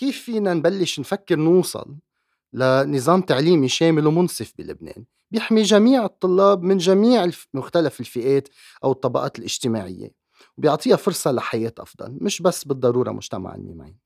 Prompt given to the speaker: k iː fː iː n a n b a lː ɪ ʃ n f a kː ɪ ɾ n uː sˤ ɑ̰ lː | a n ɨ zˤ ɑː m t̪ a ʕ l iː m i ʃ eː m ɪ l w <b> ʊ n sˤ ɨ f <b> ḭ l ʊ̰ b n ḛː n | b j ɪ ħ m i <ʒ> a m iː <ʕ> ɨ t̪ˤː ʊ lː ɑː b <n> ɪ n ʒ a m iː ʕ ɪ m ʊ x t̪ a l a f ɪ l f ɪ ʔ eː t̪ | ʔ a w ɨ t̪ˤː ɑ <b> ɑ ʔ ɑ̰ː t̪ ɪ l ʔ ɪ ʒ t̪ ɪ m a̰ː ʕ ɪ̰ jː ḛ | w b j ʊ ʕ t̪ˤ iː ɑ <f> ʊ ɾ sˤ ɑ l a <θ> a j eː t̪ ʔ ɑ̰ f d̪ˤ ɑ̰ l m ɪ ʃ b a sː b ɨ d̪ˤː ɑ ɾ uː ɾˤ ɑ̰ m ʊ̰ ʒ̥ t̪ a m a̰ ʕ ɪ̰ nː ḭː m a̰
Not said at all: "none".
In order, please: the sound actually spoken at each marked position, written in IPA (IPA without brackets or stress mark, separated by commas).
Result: m, b, ʒ, ʕ, m, b, f, ħ